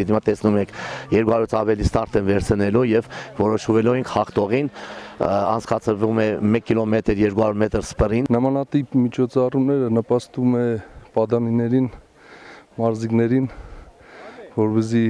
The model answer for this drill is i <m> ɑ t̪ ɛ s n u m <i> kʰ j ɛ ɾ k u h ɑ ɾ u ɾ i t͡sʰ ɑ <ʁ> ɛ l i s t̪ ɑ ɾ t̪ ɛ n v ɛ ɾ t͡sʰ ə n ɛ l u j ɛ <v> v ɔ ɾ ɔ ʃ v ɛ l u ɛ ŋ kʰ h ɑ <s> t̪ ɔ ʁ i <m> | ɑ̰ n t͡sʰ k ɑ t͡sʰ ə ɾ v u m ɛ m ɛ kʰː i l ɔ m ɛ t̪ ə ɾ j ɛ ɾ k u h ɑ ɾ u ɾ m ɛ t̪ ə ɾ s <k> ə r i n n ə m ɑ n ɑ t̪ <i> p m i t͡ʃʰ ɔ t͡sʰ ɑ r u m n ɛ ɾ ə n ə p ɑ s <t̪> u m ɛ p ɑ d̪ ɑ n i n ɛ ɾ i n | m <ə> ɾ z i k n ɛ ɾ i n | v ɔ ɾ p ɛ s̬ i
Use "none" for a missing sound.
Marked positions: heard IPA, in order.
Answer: m, ɛ, v, v, χ, n, p, i, t̪, ɑ

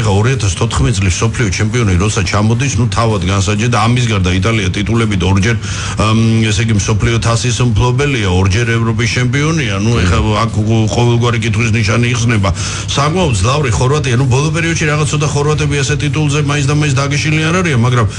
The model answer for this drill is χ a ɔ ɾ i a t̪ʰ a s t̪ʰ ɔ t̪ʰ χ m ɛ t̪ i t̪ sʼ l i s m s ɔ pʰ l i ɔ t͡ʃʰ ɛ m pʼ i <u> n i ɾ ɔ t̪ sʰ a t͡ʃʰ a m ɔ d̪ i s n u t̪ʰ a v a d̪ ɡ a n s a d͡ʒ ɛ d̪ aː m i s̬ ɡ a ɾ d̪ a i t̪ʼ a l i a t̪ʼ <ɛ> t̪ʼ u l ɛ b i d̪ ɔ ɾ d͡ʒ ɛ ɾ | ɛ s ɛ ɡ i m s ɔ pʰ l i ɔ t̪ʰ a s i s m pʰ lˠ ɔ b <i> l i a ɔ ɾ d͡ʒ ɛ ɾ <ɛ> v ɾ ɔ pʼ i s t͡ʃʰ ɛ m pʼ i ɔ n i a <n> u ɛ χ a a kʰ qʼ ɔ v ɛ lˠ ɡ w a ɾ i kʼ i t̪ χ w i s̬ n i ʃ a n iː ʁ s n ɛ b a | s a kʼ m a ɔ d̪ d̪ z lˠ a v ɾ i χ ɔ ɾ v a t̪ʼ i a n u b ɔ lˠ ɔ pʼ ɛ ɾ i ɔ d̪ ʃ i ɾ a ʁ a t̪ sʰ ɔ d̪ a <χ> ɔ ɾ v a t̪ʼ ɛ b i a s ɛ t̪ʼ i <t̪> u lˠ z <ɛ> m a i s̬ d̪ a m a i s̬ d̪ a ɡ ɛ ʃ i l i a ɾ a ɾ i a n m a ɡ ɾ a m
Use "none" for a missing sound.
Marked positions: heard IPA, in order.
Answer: ɔ, i, ɛ, ɛ, n, χ, t̪ʼ, ɛ

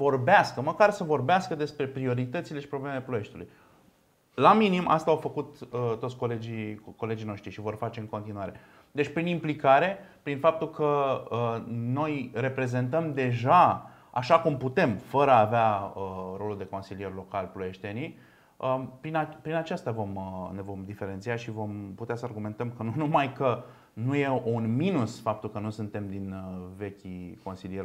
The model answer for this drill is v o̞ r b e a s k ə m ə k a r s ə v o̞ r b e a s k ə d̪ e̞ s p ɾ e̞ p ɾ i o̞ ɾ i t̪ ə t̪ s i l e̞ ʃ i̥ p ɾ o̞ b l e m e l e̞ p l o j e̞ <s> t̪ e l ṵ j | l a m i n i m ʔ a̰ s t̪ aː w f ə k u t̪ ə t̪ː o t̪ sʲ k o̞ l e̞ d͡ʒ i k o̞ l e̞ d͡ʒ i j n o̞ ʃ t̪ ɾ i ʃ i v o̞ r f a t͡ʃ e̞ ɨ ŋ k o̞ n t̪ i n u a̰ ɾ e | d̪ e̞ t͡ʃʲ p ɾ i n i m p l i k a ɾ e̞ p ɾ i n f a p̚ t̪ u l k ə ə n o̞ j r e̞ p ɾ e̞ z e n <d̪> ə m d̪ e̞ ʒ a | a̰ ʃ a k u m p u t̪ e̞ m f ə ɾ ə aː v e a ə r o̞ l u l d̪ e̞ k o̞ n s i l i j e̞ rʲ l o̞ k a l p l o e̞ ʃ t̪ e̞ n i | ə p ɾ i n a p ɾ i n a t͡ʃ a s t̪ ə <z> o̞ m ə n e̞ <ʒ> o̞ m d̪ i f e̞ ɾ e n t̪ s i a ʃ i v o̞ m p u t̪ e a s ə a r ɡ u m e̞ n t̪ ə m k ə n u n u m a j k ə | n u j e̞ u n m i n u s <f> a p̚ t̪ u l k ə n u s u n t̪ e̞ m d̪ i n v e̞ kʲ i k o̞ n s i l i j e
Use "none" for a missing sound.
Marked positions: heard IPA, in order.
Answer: ʃ, t̪, v, v, f

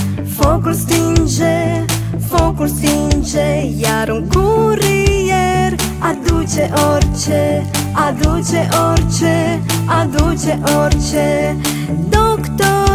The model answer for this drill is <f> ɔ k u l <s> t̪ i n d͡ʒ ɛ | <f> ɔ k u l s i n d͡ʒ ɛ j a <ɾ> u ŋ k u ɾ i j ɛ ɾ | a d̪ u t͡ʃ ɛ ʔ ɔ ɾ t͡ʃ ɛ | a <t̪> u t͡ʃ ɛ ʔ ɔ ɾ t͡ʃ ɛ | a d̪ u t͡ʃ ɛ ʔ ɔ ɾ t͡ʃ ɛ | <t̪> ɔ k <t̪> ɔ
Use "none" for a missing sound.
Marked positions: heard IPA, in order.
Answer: f, s, f, ɾ, d̪, d̪, t̪

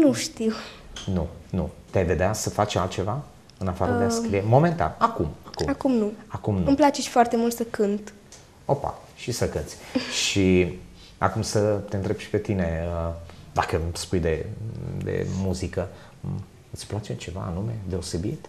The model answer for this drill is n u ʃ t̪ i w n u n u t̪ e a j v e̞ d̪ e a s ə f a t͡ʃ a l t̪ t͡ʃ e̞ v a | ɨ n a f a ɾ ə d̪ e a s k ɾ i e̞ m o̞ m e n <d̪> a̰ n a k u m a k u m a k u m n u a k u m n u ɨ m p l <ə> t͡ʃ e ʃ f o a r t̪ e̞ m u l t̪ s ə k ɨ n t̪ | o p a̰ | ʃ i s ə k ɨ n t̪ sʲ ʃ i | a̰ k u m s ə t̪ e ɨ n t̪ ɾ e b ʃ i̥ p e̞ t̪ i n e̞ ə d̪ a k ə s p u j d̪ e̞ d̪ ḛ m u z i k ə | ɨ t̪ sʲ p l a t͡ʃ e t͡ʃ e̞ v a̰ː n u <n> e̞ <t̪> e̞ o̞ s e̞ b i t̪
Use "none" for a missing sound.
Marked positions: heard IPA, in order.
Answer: t̪, a, m, d̪

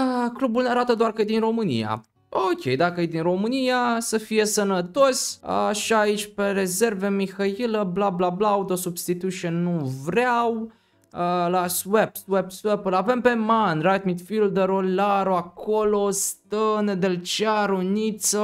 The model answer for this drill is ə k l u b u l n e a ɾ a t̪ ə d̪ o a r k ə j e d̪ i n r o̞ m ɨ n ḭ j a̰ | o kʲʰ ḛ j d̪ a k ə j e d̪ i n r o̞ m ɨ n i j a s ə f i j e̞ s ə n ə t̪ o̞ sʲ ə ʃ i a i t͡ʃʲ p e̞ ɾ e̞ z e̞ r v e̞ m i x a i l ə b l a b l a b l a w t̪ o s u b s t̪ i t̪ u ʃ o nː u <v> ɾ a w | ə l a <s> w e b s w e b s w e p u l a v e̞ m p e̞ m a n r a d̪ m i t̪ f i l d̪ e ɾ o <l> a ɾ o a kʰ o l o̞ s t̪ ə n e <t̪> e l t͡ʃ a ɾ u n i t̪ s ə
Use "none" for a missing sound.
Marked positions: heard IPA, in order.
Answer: v, s, l, d̪

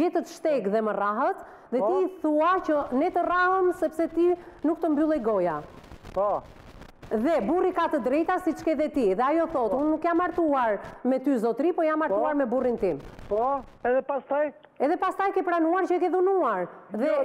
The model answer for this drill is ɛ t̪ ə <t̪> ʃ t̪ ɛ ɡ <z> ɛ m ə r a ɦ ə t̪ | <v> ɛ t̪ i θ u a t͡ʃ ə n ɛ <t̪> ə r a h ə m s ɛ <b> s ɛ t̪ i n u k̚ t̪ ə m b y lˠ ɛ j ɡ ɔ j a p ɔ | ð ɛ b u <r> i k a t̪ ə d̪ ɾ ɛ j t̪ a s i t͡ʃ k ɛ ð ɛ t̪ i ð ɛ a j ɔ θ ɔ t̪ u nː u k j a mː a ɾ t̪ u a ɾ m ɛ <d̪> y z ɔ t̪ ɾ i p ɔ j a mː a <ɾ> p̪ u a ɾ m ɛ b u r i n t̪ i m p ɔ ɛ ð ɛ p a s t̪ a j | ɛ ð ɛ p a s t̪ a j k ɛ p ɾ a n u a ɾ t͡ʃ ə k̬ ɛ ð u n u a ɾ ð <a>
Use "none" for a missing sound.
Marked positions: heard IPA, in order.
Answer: t̪, ð, ð, t̪, p, r, t̪, ɾ, ɛ

